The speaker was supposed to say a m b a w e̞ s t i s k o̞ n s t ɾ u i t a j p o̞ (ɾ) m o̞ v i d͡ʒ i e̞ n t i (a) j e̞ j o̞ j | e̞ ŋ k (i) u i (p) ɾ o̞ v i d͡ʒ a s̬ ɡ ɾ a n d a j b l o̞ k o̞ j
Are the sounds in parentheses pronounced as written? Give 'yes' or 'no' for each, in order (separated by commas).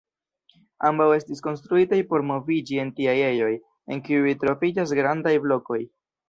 yes, yes, yes, no